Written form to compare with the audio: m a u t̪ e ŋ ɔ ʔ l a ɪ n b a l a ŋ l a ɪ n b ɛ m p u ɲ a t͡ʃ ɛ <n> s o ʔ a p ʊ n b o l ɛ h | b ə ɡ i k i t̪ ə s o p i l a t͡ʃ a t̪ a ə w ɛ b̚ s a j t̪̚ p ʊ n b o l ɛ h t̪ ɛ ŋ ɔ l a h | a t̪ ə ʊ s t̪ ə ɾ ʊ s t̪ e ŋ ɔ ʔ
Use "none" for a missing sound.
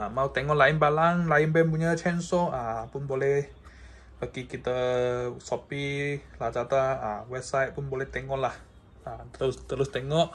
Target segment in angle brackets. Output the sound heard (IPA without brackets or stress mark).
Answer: n